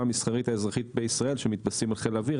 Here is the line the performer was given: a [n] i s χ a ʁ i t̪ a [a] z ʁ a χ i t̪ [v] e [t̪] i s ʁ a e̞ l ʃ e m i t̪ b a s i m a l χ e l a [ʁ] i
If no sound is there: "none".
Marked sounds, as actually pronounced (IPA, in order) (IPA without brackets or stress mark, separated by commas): m, e, b, none, v